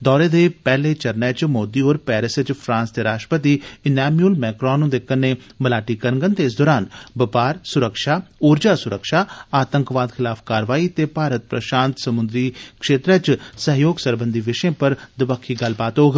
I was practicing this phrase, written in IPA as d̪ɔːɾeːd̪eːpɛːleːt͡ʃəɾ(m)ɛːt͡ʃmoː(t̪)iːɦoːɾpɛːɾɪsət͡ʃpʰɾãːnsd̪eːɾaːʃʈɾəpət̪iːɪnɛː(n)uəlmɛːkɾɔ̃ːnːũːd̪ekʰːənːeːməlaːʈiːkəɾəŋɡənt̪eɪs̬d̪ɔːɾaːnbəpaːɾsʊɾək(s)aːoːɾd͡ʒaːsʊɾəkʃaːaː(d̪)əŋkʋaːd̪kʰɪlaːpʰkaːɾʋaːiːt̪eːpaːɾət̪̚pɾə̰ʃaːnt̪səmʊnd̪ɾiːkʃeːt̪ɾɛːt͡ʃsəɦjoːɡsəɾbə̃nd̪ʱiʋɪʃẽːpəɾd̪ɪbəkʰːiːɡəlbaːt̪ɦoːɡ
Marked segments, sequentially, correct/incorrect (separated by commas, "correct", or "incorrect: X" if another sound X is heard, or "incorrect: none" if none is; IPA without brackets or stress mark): incorrect: n, incorrect: d̪, incorrect: m, incorrect: ʃ, incorrect: t̪